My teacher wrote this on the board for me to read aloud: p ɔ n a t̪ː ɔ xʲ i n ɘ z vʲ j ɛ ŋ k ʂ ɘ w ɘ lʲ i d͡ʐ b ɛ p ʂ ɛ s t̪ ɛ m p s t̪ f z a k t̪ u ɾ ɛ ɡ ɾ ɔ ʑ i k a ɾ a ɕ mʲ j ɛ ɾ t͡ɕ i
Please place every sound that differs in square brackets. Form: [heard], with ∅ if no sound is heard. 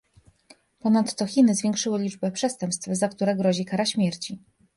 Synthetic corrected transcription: p ɔ n a t̪ː ɔ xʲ i n ɘ z vʲ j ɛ ŋ k ʂ ɘ w ɘ lʲ i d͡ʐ b ɛ p ʂ ɛ s t̪ ɛ m p s t̪ f z a k t̪ u ɾ ɛ ɡ ɾ ɔ ʑ i k a ɾ a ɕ mʲ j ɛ ɾ t͡ɕ i

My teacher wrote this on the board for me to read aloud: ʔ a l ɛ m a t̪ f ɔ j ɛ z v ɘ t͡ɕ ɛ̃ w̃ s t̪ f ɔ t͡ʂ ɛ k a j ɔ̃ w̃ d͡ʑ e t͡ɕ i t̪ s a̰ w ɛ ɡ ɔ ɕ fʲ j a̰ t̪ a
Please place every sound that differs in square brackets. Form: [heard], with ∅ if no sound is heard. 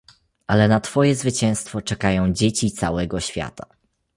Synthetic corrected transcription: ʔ a l ɛ [n] a t̪ f ɔ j ɛ z v ɘ t͡ɕ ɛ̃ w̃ s t̪ f ɔ t͡ʂ ɛ k a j ɔ̃ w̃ d͡ʑ e t͡ɕ i t̪ s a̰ w ɛ ɡ ɔ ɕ fʲ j a̰ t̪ a

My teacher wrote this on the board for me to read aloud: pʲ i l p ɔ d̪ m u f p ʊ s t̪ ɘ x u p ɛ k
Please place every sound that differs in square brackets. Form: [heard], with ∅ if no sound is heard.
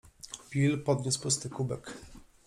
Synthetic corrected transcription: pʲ i l p ɔ d̪ [ɲ] u [s] p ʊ s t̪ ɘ [k] u [b] ɛ k

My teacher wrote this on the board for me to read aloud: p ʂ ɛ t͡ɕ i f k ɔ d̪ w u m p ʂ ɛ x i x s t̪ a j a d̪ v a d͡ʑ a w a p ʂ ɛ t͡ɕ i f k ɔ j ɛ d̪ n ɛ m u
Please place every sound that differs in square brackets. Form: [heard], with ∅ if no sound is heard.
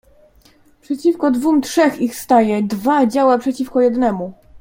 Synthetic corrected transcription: p ʂ ɛ t͡ɕ i f k ɔ d̪ [v] u m [t] ʂ ɛ x i x s t̪ a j [ɛ] d̪ v a d͡ʑ a w a p ʂ ɛ t͡ɕ i f k ɔ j ɛ d̪ n ɛ m u

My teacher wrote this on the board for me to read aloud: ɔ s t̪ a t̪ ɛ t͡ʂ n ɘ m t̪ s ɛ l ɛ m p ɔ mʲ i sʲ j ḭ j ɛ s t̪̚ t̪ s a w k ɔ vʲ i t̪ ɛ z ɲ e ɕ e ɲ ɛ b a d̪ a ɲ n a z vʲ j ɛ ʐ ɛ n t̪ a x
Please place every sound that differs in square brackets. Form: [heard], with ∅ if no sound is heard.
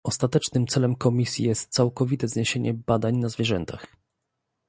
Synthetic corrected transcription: ɔ s t̪ a t̪ ɛ t͡ʂ n ɘ m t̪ s ɛ l ɛ m [k] ɔ mʲ i sʲ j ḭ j ɛ s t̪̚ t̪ s a w k ɔ vʲ i t̪ ɛ z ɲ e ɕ e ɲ ɛ b a d̪ a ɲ n a z vʲ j ɛ ʐ ɛ n t̪ a x

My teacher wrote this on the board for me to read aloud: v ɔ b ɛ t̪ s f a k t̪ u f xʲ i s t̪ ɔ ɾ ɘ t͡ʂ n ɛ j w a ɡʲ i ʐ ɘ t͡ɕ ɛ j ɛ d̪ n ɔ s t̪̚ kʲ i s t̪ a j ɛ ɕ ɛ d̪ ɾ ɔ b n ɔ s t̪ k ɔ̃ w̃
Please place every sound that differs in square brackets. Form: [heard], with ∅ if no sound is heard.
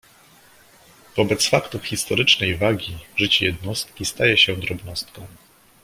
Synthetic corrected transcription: v ɔ b ɛ t̪ s f a k t̪ u f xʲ i s t̪ ɔ ɾ ɘ t͡ʂ n ɛ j [v] a ɡʲ i ʐ ɘ t͡ɕ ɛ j ɛ d̪ n ɔ s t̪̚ kʲ i s t̪ a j ɛ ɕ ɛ d̪ ɾ ɔ b n ɔ s t̪ k ɔ̃ w̃

